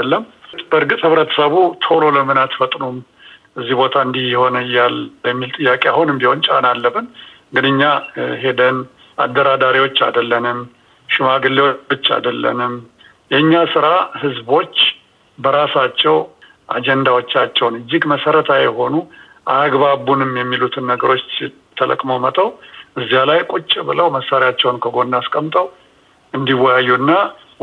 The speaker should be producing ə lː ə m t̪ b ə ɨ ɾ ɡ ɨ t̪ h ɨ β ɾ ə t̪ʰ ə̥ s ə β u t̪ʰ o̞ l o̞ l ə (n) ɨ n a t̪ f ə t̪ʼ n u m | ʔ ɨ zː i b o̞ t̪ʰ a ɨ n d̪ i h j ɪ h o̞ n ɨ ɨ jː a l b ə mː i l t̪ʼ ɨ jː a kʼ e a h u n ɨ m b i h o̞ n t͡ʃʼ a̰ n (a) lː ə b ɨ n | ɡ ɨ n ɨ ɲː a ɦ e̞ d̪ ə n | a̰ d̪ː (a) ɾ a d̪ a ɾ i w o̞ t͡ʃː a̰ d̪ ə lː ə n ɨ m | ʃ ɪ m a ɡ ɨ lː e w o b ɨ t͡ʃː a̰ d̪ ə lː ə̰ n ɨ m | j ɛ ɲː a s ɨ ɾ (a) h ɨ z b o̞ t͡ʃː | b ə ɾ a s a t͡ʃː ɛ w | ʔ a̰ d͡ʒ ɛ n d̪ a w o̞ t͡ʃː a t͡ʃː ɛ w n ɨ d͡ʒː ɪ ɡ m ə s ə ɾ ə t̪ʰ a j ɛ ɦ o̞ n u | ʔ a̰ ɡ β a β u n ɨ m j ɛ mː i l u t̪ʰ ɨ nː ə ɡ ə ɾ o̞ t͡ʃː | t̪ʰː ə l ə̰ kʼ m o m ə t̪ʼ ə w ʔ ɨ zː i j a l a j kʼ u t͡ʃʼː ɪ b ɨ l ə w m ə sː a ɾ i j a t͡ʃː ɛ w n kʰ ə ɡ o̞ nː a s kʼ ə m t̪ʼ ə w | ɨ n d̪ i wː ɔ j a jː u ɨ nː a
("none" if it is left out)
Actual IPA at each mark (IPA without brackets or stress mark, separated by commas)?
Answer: m, a, ə, a